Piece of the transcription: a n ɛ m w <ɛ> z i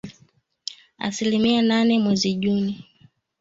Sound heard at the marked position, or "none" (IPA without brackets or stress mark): ɛ